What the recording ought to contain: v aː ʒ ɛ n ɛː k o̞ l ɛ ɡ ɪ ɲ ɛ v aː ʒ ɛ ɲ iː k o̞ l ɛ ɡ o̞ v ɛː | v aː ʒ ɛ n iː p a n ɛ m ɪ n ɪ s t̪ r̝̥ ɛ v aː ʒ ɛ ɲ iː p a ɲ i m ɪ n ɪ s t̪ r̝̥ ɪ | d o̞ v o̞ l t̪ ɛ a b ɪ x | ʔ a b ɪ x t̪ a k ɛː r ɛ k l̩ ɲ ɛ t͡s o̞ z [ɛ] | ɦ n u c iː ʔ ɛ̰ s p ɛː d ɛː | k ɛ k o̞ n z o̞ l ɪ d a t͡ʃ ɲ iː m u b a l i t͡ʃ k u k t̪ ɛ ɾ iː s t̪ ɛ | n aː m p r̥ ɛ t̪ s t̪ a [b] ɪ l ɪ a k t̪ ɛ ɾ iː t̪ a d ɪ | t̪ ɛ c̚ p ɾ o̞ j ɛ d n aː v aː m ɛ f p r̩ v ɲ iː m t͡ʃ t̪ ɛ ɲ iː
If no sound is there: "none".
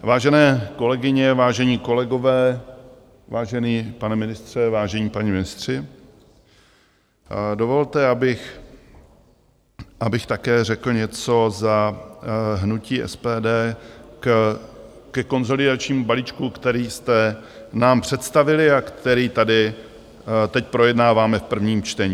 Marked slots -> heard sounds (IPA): a, v

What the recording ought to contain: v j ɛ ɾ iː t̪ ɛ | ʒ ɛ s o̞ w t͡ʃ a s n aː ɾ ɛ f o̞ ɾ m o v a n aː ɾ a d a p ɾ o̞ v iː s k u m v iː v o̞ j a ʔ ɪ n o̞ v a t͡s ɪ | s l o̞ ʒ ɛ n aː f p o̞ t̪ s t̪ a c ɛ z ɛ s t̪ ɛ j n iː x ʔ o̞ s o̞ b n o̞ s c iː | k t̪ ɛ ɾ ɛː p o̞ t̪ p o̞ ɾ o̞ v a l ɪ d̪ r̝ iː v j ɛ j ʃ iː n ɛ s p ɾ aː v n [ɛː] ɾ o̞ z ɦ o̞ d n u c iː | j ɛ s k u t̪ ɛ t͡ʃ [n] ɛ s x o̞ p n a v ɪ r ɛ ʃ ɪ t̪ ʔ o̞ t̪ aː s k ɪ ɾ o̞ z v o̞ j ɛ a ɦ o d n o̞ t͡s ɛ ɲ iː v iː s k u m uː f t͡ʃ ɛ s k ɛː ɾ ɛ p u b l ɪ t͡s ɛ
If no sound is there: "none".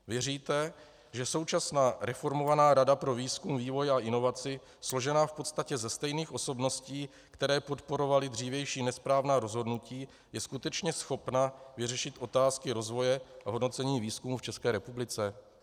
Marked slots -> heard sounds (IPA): aː, ɲ

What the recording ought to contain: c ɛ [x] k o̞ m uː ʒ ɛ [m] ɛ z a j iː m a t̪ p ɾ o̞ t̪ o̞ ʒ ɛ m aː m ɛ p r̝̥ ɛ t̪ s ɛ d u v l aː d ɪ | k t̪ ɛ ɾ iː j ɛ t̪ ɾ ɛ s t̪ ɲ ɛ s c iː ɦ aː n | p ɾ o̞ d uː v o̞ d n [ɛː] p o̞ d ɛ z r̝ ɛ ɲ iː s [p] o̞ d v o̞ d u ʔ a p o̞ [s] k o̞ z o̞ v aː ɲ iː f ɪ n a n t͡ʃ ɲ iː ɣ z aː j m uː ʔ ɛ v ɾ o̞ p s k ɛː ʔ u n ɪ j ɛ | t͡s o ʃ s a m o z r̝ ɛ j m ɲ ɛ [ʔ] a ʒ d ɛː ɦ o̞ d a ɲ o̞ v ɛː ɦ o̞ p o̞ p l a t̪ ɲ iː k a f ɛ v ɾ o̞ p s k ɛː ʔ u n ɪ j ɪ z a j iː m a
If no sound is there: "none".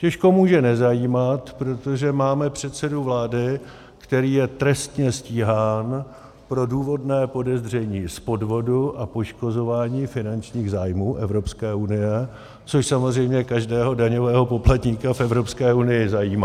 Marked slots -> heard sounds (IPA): ʃ, n, ɛː, p, ʃ, k

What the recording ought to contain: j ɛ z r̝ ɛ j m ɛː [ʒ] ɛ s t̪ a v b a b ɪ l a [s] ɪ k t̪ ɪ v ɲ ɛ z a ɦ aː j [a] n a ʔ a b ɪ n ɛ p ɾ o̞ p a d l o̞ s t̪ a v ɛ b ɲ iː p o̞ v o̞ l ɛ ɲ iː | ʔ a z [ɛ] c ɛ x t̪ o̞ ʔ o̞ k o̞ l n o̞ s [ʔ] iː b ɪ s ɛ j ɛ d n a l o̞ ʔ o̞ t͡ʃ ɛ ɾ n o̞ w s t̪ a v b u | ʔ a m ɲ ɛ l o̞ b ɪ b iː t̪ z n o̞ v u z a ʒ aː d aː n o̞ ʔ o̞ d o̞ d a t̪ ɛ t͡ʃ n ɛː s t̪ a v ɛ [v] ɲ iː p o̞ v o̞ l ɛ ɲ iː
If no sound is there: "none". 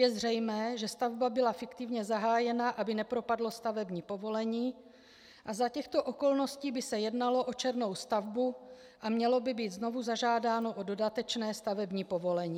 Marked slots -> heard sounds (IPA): ʒ, f, ɛ, a, c, b

